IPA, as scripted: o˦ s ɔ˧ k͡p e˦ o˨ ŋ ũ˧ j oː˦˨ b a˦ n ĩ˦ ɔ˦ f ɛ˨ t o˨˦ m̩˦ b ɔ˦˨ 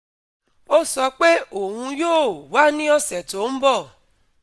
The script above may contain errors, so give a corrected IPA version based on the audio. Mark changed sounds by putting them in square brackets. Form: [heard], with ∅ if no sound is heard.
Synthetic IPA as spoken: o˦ s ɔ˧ k͡p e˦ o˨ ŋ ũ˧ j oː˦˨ [w] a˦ n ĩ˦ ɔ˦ [s] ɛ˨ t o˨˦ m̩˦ b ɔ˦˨